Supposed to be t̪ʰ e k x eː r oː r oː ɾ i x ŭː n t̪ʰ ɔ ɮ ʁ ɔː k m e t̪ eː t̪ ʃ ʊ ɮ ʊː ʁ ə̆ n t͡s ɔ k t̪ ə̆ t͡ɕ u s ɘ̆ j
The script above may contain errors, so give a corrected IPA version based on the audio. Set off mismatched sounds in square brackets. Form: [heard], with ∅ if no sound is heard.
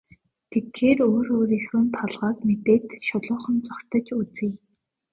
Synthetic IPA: t̪ʰ e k x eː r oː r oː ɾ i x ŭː n t̪ʰ ɔ ɮ ʁ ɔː k m e t̪ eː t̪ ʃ ʊ ɮ ʊː [χ] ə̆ n t͡s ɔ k t̪ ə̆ t͡ɕ u [t͡s] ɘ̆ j